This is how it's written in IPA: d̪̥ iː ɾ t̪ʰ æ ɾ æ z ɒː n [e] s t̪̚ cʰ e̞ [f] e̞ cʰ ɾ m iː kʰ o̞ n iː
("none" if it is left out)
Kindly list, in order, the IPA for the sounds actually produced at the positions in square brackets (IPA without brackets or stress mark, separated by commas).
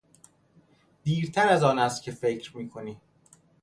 æ, f